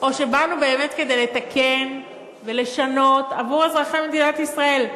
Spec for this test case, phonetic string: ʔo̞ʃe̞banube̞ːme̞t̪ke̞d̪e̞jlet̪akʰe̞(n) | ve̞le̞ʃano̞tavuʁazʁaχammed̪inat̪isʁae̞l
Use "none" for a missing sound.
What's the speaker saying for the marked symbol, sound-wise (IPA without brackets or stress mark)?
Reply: n